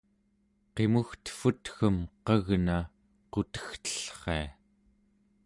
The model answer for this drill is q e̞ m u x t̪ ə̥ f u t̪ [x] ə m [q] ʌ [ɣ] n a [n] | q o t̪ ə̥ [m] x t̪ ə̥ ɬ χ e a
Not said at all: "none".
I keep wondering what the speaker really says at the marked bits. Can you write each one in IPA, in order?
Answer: x, q, ɣ, none, none

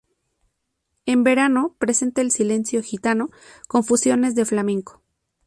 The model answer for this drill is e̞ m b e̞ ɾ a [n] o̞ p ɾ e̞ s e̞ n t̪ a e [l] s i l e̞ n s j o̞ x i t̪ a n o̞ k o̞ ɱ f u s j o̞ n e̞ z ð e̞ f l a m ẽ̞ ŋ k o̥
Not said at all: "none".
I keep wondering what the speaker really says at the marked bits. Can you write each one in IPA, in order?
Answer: n, l

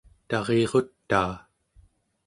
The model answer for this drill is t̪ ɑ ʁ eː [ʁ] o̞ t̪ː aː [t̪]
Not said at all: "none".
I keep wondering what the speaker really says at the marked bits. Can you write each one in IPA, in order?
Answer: ʁ, none

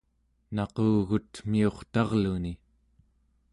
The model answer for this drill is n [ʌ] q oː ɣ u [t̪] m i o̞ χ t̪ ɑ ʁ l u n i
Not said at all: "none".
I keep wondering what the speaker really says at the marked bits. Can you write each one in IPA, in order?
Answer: ɑ, t̪

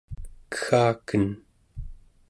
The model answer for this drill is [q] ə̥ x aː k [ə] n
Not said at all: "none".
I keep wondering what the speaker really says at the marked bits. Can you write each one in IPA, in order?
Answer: k, ə

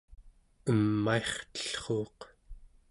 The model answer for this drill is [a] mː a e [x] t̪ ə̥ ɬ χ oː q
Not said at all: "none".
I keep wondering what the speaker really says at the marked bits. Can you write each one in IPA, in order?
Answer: ə, χ

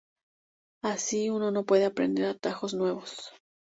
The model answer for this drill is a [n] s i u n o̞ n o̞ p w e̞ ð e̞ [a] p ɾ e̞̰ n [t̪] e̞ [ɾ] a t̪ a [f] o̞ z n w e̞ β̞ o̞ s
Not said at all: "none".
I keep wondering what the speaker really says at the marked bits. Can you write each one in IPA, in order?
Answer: none, a, d̪, ɾ, x

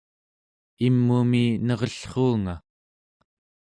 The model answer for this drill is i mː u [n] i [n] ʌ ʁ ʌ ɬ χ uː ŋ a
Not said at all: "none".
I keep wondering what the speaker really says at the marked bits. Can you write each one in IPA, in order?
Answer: m, n

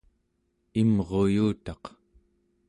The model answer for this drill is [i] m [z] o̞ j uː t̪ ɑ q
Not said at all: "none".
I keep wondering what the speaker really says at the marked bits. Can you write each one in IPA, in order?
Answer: i, ʁ

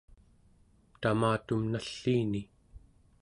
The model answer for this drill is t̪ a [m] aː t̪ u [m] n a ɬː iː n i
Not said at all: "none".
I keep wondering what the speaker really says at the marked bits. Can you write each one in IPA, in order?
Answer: m, m

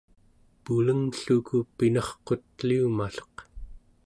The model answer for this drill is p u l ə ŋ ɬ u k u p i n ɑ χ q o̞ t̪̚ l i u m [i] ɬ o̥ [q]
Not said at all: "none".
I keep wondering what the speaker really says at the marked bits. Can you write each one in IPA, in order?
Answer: a, q

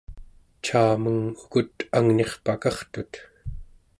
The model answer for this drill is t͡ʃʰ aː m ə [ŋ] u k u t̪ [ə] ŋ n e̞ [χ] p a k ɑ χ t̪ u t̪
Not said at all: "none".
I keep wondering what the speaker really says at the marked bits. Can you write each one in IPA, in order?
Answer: ŋ, a, χ

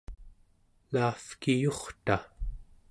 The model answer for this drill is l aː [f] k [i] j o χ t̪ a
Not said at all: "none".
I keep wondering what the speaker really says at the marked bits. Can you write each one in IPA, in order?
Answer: f, i

